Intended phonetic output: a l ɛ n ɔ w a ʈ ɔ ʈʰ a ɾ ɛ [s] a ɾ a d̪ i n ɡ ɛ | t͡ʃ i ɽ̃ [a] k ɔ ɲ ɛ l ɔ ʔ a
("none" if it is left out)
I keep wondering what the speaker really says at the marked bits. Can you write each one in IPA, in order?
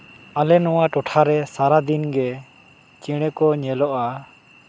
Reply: s, ɛ

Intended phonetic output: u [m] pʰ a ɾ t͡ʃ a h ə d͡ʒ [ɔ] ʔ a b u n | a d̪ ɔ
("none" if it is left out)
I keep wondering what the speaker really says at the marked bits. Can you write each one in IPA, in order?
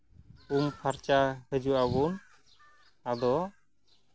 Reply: m, u

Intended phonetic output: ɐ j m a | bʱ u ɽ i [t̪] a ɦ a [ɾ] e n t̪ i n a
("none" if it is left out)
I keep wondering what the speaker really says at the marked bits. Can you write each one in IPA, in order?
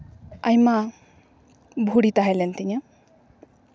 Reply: t̪, l

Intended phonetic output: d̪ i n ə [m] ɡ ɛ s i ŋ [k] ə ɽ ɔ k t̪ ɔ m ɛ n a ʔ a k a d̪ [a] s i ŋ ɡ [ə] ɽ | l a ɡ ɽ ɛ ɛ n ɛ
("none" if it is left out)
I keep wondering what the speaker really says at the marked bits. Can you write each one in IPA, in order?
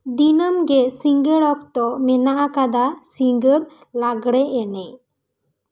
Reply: m, ɡ, a, ə

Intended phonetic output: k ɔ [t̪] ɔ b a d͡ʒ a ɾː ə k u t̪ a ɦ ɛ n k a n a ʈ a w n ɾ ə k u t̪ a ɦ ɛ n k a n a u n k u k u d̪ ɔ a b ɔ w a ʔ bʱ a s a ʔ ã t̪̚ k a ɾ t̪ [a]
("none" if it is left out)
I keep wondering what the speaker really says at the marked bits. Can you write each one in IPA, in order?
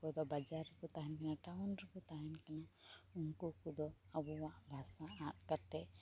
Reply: d̪, ɛ

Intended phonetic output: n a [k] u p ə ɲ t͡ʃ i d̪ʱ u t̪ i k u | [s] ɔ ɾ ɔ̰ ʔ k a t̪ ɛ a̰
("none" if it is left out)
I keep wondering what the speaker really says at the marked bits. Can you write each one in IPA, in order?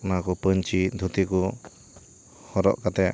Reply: k, h

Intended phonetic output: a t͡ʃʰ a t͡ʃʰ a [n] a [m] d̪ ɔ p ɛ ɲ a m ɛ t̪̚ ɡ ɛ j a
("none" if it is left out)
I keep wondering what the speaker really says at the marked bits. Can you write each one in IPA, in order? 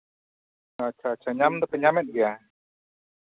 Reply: ɲ, m

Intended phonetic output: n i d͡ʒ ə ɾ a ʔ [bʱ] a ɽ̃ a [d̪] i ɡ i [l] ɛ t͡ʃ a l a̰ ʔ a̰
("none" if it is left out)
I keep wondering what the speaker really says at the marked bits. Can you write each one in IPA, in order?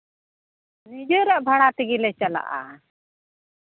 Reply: bʱ, t̪, l

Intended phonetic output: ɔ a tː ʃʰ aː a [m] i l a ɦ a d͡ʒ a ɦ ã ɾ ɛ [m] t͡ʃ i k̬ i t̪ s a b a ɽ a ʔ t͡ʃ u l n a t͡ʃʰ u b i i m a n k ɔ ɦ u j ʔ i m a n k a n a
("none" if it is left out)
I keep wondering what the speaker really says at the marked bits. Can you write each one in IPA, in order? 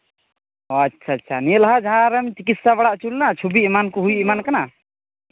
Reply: n, m

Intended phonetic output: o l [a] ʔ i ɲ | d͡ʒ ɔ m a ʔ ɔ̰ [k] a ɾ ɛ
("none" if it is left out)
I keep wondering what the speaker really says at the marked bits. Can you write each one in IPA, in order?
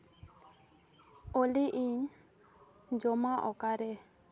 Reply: i, k

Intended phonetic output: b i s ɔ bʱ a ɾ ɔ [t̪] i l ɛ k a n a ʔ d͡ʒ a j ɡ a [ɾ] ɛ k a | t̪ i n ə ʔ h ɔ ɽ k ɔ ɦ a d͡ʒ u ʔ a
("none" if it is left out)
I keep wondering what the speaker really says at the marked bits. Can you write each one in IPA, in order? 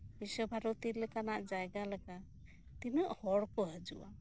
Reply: t̪, l

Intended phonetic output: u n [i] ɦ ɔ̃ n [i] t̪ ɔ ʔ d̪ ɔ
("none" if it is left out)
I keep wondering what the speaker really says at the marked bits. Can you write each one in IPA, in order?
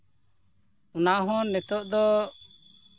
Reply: a, ɛ

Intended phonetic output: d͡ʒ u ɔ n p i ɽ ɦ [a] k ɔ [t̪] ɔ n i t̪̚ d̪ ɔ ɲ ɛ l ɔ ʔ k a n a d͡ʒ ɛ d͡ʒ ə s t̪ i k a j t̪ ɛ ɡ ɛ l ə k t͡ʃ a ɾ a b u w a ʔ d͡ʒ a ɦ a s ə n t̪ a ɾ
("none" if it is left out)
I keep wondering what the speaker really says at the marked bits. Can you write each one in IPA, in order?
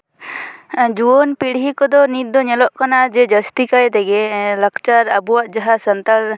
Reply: i, d̪

